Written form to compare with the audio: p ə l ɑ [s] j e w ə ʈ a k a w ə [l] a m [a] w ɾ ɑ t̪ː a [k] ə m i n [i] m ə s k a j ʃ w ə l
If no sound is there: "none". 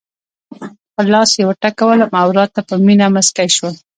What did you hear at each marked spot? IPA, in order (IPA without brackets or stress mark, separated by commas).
s, l, a, p, a